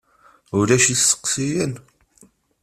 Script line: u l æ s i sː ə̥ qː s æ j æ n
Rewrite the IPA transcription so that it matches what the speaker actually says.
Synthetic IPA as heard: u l æ ʃ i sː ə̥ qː s i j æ n